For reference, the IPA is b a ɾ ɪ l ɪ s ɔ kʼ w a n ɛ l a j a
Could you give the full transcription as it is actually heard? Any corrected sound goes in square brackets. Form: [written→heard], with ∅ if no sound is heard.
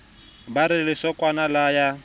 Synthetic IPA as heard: b a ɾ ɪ l ɪ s ɔ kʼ w a n [ɛ→a] l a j a